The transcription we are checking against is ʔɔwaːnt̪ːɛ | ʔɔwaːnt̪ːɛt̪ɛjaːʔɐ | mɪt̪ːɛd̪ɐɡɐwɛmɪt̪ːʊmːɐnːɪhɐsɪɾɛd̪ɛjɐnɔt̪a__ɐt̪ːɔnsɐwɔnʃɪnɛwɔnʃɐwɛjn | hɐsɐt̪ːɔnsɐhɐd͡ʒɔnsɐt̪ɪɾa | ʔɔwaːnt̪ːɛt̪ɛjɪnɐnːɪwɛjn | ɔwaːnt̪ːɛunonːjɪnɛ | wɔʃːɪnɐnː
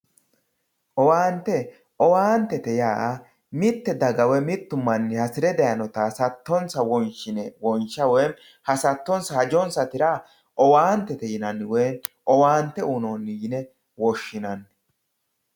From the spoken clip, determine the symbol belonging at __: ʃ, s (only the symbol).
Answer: s